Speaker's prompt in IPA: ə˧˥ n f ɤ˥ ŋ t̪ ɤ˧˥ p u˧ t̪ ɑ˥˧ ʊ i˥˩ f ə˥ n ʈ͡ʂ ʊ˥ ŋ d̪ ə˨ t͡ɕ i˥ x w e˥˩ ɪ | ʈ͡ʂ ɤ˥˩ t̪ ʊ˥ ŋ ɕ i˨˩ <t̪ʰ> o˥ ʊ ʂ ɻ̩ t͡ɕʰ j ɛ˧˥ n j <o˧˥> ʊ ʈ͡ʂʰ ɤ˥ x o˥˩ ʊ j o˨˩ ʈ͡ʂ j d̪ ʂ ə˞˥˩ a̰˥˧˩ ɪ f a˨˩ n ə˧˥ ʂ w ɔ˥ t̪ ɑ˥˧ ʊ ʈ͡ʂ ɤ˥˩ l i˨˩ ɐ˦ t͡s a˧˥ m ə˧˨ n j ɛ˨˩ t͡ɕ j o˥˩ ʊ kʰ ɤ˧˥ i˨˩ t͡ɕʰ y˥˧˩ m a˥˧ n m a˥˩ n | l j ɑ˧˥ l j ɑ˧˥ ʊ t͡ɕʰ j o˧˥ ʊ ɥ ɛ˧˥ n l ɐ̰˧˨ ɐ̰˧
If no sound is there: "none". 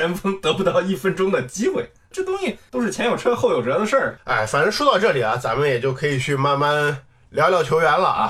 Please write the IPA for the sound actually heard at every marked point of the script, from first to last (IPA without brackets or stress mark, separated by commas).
t̪, o˨˩